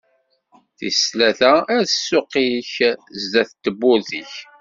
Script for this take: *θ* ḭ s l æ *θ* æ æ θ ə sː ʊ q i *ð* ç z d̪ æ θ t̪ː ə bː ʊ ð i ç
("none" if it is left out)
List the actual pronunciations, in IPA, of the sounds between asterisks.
θ, θ, none

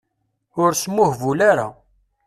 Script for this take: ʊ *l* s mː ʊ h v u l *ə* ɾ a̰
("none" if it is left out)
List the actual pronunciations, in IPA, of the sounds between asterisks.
ɾ, a

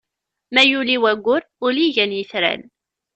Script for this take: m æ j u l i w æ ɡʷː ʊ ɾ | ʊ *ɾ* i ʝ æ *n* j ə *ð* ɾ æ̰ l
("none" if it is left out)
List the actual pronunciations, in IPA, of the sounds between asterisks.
l, n, θ

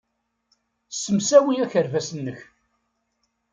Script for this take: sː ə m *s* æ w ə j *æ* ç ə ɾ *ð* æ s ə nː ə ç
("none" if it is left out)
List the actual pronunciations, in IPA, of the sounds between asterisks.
s, æ, v

